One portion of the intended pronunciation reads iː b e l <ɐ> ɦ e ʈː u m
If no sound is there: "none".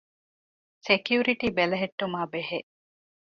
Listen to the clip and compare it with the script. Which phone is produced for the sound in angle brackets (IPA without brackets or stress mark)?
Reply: ɐ